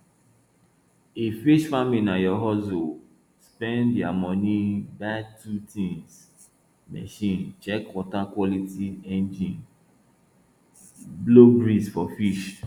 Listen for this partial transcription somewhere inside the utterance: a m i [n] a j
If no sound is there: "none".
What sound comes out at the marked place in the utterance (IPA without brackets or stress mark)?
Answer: n